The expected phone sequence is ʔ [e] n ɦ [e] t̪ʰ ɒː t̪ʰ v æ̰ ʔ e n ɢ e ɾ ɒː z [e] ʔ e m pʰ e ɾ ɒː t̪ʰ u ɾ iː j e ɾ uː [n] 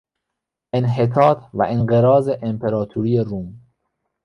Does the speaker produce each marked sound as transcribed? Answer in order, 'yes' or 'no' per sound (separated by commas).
yes, yes, yes, no